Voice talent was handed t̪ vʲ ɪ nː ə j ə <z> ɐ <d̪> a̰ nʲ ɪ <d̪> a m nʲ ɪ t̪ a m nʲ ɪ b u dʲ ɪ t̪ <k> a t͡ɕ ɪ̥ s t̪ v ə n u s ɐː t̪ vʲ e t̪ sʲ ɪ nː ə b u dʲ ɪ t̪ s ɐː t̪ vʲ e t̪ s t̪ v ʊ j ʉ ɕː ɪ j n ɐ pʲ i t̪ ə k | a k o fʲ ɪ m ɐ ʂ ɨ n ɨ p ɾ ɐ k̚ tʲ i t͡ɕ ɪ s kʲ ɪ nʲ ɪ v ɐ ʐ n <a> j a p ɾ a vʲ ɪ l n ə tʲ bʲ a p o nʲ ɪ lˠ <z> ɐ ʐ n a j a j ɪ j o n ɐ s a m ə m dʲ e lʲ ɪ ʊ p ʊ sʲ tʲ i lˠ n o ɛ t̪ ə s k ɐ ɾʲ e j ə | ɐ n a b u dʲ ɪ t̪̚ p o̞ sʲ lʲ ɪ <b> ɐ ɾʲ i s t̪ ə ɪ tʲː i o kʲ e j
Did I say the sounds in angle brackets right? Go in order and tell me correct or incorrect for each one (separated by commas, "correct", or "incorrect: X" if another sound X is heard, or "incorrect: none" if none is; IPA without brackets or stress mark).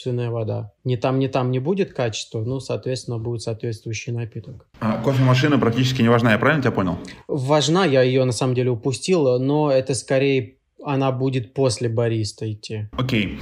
incorrect: v, correct, incorrect: t̪, correct, correct, incorrect: v, correct